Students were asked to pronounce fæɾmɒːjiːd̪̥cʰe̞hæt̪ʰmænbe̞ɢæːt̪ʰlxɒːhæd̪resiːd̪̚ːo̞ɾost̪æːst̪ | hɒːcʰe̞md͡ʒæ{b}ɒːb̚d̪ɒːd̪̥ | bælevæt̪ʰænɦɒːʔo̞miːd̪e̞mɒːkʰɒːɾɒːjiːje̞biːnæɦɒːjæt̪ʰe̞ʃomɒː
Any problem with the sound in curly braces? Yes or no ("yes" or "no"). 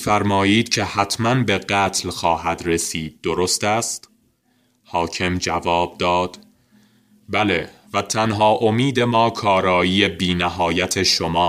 yes